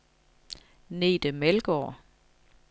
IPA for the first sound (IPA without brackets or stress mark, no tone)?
n